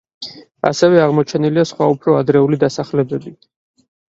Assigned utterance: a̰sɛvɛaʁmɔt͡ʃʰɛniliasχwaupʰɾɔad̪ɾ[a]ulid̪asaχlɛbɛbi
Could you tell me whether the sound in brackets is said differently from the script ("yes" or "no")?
yes